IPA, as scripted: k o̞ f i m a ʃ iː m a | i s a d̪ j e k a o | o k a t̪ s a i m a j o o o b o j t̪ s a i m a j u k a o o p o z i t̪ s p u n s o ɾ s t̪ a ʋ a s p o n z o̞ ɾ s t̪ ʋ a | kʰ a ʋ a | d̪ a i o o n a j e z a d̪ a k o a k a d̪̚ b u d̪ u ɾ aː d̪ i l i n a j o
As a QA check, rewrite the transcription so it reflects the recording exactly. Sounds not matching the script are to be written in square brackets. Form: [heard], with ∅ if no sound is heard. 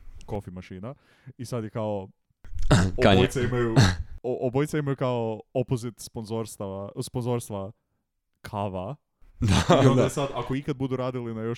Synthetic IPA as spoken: k o̞ f i m a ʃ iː [n] a | i s a d̪ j e k a o | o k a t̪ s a i m a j [u] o o b o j t̪ s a i m a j u k a o o p o z i t̪ s p [o] n [z] o ɾ s t̪ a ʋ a s p o n z o̞ ɾ s t̪ ʋ a | kʰ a ʋ a | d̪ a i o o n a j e [s] a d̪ a k o [i] k a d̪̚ b u d̪ u ɾ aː d̪ i l i n a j o